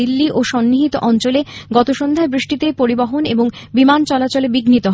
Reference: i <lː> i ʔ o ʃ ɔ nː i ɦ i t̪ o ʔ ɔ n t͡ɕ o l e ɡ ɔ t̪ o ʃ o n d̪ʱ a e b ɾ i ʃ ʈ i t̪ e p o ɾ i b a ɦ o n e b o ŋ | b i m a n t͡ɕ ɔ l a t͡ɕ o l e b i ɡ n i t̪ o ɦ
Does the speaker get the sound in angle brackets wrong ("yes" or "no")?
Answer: no